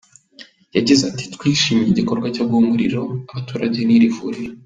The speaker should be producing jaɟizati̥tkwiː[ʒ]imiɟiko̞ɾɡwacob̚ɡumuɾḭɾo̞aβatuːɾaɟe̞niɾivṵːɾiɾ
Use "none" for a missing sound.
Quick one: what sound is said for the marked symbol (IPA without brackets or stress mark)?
ʃ